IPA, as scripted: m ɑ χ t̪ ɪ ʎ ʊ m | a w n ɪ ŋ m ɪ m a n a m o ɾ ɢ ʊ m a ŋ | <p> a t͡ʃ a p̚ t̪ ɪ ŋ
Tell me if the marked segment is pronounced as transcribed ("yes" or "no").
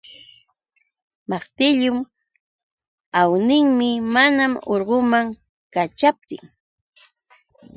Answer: no